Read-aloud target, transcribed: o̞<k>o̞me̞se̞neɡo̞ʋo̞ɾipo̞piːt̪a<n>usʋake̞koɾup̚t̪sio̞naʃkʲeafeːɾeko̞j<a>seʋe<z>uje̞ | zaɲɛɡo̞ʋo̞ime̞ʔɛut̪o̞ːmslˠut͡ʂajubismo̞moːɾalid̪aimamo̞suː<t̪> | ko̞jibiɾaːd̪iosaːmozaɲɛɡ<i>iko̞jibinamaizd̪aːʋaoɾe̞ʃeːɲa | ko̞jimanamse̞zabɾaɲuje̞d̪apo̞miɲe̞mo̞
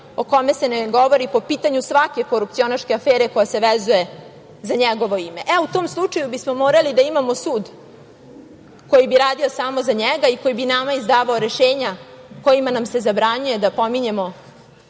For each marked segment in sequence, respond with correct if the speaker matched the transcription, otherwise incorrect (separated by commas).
correct, incorrect, correct, correct, incorrect, incorrect